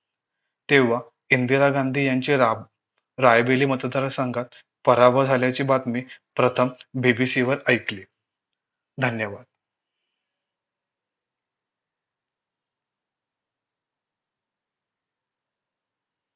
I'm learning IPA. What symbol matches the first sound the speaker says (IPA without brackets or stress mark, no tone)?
t̪